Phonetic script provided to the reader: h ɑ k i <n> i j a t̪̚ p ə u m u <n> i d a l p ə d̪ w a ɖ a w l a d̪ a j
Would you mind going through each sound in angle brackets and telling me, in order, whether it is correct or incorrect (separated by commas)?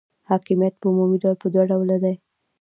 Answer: incorrect, incorrect